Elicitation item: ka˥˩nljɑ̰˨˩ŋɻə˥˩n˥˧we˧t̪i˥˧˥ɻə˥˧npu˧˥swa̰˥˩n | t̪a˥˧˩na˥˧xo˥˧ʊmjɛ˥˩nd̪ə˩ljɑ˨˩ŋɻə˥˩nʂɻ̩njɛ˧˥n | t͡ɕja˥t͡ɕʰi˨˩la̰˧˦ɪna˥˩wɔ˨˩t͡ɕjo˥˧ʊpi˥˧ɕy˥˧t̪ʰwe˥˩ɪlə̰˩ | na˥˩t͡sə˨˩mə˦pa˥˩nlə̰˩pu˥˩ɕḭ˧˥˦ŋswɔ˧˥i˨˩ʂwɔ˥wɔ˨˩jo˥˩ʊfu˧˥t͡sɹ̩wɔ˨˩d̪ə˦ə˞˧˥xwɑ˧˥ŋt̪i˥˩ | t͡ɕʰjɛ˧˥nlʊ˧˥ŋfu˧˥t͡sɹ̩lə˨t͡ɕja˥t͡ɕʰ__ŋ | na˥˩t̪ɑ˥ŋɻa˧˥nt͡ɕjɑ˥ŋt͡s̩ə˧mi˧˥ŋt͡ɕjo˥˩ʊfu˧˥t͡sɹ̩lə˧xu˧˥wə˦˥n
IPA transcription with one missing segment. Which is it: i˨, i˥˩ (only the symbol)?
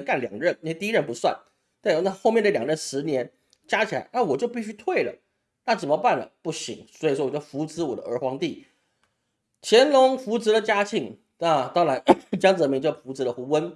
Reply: i˥˩